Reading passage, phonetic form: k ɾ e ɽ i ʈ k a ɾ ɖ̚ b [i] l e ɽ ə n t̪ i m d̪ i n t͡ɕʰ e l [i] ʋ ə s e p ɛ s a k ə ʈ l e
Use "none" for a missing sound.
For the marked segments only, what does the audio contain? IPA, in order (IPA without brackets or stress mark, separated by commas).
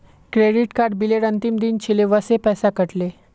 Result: i, e